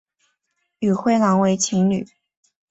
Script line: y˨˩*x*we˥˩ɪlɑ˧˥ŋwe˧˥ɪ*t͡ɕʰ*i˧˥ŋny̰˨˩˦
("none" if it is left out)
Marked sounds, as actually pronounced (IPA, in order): x, t͡ɕʰ

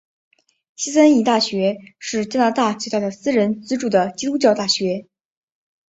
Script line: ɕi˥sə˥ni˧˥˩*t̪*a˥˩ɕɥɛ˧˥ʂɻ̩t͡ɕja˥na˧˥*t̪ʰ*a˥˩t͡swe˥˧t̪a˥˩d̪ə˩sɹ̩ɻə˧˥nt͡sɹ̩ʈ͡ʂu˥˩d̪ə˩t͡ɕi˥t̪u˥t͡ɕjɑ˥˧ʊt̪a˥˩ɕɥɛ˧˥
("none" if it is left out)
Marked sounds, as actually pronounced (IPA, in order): t̪, t̪

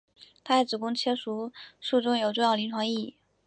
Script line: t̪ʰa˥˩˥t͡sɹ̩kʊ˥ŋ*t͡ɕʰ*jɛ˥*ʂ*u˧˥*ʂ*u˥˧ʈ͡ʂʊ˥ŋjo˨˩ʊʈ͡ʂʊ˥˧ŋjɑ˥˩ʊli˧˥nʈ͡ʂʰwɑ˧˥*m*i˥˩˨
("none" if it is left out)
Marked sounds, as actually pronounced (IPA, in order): t͡ɕʰ, ʂ, ʂ, ŋ

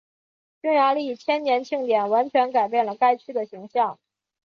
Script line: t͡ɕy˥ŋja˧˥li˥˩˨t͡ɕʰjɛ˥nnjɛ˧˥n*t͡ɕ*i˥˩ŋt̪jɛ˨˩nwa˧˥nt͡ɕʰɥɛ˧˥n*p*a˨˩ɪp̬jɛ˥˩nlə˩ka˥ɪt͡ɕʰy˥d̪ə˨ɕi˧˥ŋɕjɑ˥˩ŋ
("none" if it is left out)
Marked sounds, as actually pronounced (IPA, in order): t͡ɕʰ, k

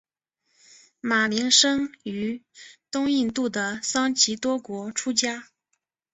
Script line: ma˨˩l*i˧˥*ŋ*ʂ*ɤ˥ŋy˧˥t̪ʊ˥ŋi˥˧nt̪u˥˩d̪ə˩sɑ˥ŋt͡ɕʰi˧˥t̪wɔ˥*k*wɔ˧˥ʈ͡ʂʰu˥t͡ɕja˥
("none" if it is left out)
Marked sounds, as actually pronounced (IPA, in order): i˧˥, ʂ, k

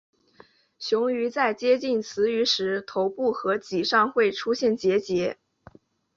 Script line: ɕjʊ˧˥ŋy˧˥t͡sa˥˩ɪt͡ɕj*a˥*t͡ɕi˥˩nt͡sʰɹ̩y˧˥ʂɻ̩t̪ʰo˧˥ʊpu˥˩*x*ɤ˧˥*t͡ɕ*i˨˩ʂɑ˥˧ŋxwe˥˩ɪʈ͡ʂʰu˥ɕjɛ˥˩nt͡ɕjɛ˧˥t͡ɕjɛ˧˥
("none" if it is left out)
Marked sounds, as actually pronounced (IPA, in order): ɛ˥, x, t͡ɕ

